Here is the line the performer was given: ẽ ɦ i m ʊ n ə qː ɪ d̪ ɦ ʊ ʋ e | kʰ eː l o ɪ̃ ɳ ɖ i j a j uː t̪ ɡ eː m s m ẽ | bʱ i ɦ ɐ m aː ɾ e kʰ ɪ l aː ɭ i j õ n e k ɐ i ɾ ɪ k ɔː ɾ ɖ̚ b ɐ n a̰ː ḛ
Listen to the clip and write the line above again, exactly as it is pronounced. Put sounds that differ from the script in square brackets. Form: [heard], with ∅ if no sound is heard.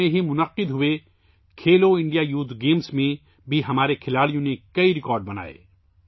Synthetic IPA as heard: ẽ ɦ i m ʊ n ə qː ɪ d̪ ɦ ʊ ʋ e | kʰ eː l o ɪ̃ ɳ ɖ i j a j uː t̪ ɡ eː m s m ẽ | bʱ i ɦ ɐ m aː ɾ e kʰ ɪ l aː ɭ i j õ n e k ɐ i ɾ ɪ k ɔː ɾ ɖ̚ b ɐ n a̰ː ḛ